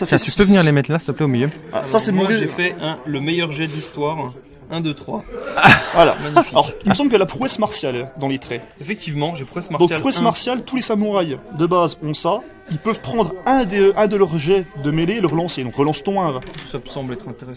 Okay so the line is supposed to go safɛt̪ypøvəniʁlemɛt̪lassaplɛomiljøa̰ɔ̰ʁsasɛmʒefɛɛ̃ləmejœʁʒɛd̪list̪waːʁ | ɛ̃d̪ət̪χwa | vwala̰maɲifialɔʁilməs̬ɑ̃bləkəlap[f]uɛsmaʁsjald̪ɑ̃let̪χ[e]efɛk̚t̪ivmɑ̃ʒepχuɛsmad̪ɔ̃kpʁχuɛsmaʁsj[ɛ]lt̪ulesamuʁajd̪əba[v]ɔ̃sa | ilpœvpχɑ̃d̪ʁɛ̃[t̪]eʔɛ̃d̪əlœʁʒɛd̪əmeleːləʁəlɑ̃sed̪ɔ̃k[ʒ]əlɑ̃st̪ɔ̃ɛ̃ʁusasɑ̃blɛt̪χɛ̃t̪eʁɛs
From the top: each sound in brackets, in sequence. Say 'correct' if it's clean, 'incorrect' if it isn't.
incorrect: χ, incorrect: ɛ, incorrect: a, incorrect: z, incorrect: d̪, incorrect: ʁ

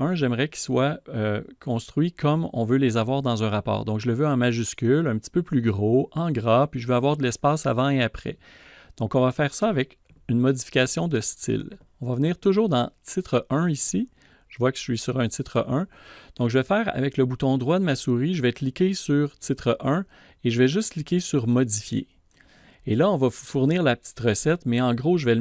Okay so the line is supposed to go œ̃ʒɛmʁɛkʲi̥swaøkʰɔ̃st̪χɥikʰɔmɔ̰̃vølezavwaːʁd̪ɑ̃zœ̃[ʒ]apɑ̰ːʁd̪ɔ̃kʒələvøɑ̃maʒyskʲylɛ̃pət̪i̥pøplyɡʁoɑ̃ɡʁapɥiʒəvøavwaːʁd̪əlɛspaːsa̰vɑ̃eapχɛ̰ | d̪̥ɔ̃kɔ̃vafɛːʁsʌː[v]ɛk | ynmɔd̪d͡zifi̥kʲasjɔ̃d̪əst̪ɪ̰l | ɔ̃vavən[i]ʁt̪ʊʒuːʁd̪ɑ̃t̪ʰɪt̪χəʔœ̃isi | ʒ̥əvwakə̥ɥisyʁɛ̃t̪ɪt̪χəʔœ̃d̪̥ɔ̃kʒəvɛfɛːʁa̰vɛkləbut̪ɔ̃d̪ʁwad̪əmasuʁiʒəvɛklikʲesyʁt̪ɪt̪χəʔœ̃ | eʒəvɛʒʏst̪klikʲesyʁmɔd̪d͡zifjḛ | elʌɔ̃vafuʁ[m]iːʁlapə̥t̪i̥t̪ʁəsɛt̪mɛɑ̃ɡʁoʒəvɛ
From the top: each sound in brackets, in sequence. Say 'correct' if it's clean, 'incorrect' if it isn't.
incorrect: ʁ, correct, incorrect: iː, incorrect: n

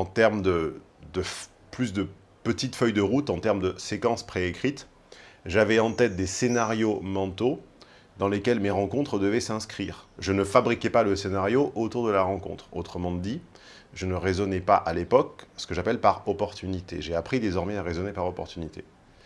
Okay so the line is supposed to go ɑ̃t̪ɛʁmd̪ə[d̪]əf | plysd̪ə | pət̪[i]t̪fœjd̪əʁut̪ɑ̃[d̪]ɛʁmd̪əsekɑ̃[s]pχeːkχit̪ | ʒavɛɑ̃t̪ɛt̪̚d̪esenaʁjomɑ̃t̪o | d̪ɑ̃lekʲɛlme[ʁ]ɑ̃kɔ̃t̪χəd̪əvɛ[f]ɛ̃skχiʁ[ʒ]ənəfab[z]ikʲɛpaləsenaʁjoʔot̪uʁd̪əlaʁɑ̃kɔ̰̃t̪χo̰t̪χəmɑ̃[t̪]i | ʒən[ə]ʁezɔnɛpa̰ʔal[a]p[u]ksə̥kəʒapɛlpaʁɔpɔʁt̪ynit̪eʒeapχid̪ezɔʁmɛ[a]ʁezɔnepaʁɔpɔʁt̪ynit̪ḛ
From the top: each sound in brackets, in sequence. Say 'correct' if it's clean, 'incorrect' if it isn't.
correct, correct, incorrect: t̪, correct, correct, incorrect: s, correct, incorrect: ʁ, incorrect: d̪, correct, incorrect: e, incorrect: ɔ, correct

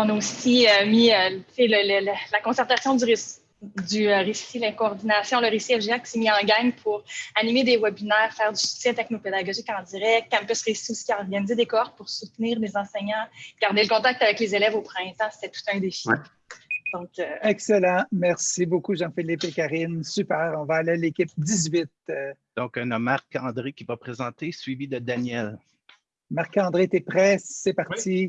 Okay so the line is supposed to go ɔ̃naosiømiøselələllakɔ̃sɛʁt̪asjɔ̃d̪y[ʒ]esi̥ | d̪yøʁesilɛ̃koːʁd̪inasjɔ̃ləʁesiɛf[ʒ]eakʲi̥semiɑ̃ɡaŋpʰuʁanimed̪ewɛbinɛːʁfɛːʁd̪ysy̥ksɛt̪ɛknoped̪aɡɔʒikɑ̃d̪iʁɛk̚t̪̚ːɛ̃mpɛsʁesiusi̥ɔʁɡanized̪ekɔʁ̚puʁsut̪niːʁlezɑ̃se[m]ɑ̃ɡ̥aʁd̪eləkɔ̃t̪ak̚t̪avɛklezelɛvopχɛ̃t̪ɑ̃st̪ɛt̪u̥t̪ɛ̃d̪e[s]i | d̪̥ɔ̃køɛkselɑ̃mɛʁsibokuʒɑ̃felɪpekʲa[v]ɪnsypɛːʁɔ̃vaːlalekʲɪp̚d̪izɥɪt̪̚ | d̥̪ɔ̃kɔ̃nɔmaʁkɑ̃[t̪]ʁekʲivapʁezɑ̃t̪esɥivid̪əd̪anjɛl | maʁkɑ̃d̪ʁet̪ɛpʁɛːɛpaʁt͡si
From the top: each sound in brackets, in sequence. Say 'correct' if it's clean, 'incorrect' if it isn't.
incorrect: ʁ, correct, incorrect: ɲ, incorrect: f, incorrect: ʁ, incorrect: d̪

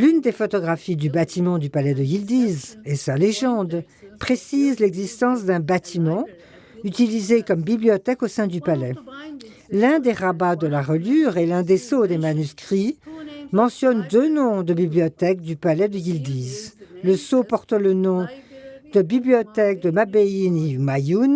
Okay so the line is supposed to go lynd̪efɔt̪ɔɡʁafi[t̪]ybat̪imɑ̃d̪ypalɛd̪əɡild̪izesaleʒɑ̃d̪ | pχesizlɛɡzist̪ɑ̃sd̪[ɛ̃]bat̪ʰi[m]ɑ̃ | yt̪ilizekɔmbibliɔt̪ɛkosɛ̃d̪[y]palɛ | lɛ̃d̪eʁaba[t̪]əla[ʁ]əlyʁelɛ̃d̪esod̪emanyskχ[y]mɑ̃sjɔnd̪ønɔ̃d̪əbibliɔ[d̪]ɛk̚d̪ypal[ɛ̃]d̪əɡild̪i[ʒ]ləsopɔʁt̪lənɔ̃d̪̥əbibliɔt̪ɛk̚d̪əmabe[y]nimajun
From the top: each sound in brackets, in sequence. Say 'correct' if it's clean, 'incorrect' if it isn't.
incorrect: d̪, correct, correct, correct, incorrect: d̪, correct, incorrect: i, incorrect: t̪, incorrect: ɛ, incorrect: z, incorrect: i

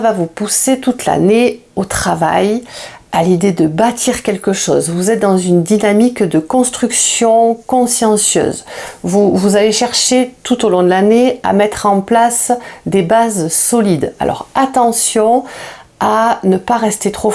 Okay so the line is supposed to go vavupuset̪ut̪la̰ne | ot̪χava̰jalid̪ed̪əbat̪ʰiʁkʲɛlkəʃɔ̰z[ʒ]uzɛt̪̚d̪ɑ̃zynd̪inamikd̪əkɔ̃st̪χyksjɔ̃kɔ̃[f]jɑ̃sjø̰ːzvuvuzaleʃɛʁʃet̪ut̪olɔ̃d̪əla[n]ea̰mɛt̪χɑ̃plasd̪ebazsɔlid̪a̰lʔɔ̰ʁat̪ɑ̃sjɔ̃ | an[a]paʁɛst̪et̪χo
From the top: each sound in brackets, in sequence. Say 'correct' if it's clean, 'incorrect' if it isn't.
incorrect: v, incorrect: s, correct, incorrect: ə

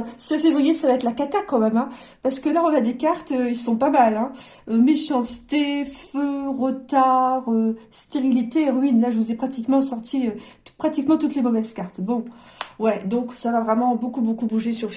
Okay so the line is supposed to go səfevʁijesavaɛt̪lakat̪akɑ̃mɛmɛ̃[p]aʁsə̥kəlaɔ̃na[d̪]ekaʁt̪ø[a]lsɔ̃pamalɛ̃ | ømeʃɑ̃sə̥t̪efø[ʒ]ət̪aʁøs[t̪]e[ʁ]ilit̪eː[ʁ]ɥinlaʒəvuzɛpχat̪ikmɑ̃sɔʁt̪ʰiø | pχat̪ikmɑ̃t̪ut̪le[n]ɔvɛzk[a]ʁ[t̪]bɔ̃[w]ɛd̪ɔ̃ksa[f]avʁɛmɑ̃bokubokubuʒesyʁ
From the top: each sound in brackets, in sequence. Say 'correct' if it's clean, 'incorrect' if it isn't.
correct, correct, incorrect: i, incorrect: ʁ, correct, correct, correct, incorrect: m, correct, correct, correct, incorrect: v

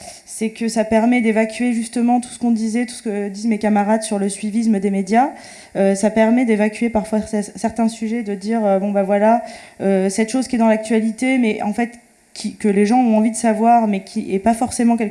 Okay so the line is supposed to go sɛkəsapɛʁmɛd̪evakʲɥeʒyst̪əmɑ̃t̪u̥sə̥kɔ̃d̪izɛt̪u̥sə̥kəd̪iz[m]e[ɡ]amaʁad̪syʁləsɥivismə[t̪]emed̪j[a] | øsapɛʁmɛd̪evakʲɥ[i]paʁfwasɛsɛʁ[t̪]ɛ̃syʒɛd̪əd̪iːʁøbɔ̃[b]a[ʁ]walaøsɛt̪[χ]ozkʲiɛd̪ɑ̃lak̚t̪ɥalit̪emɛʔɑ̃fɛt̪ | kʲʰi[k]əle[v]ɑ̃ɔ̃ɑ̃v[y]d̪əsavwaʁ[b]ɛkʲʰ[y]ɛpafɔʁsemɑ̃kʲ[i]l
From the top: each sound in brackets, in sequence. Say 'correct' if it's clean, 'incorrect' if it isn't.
correct, incorrect: k, incorrect: d̪, correct, incorrect: e, correct, correct, incorrect: v, incorrect: ʃ, correct, incorrect: ʒ, incorrect: i, incorrect: m, incorrect: i, incorrect: ɛ

